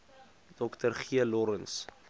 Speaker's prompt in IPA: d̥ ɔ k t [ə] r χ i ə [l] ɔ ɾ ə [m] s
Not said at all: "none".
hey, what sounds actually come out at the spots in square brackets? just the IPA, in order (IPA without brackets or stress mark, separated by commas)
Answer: ə, l, n